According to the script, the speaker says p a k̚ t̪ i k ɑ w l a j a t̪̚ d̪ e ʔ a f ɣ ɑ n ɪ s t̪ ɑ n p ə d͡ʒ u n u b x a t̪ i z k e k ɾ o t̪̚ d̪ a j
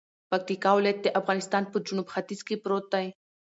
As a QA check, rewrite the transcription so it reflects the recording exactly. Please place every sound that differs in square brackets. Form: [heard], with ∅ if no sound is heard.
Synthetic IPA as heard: p a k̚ t̪ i k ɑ w l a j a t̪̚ d̪ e ʔ a f ɣ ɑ n ɪ s t̪ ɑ n p ə d͡ʒ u n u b x a t̪ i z k e [p] ɾ o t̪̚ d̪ a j

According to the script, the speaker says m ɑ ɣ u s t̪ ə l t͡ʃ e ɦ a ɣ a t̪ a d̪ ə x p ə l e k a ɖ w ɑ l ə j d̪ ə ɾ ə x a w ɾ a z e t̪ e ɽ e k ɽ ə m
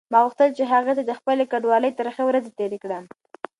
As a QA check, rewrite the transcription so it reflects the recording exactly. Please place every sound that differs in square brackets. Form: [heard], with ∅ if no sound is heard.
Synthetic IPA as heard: m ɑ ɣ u [x] t̪ ə l t͡ʃ e ɦ a ɣ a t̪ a d̪ ə x p ə l e k a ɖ w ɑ l ə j [t̪] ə ɾ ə x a w ɾ a z e t̪ e [ɾ] e k ɽ ə m

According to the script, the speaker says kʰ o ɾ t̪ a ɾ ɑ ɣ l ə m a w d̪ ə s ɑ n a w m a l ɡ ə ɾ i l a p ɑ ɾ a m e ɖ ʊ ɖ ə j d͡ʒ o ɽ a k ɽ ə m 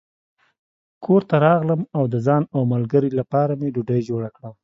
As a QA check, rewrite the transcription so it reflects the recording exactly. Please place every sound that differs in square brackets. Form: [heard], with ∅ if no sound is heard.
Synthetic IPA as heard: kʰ o ɾ t̪ a ɾ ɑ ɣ l ə m a w d̪ ə [z] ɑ n a w m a l ɡ ə ɾ i l a p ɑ ɾ a m e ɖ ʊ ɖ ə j d͡ʒ o ɽ a k ɽ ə m

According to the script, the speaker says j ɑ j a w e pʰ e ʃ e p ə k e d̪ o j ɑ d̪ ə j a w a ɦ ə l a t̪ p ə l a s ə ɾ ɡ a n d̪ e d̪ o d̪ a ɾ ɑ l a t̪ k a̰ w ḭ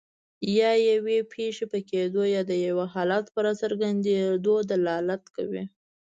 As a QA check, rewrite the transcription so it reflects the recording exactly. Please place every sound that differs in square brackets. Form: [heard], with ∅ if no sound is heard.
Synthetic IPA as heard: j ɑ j a w e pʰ e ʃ e p ə k e d̪ o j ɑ d̪ ə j a w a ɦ [ɑ] l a t̪ p ə [ɾ] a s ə ɾ ɡ a n d̪ e d̪ o d̪ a [l] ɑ l a t̪ k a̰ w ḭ

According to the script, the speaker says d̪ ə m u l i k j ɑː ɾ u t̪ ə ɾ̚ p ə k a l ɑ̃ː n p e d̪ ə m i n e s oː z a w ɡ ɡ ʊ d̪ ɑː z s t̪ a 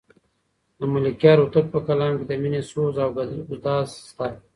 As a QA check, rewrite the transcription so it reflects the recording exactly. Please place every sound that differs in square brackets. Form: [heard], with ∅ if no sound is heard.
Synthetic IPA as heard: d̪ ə m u l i k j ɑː ɾ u t̪ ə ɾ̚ p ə k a l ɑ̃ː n [k] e d̪ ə m i n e s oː z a w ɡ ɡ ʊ d̪ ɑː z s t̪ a

